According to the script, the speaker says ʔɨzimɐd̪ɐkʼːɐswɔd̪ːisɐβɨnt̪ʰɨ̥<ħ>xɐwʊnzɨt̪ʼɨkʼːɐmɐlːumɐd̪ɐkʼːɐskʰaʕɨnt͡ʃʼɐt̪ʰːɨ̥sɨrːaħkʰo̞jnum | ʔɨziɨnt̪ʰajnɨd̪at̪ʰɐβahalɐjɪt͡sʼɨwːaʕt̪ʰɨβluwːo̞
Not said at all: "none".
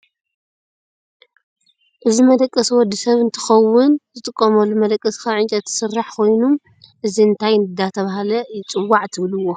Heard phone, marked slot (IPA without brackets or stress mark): none